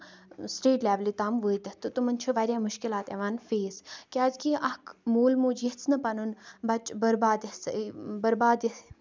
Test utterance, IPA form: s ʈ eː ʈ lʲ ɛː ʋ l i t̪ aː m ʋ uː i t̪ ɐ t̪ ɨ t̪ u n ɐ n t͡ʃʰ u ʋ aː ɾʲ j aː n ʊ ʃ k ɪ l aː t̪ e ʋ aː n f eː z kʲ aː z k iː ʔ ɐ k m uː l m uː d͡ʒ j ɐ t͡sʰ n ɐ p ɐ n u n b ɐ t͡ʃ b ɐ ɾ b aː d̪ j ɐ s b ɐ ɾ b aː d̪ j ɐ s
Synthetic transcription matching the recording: s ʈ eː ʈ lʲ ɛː ʋ l i t̪ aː m ʋ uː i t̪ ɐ t̪ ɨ t̪ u m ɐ n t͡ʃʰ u ʋ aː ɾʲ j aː m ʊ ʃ k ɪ l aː t̪ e ʋ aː n f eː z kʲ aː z k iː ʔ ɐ k m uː l m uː d͡ʒ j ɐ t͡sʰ n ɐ p ɐ n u n b ɐ t͡ʃ b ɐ ɾ b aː d̪ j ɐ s b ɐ ɾ b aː d̪ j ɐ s